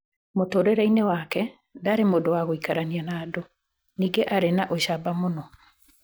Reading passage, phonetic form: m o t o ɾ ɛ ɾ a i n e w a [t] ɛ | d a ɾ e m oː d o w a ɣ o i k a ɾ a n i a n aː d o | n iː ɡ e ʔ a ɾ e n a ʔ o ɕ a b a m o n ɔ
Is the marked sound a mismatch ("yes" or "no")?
yes